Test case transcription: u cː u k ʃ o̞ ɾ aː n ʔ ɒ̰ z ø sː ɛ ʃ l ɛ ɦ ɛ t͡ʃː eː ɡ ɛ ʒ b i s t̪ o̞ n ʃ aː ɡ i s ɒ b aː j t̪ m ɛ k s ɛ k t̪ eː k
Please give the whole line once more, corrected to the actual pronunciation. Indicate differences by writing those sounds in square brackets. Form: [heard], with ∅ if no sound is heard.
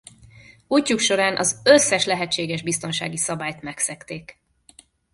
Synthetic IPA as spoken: u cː u k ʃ o̞ ɾ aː n ʔ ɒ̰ z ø sː ɛ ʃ l ɛ ɦ ɛ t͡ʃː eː ɡ ɛ ʒ b i s t̪ o̞ n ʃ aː ɡ i s ɒ b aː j t̪ m ɛ k s ɛ k t̪ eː k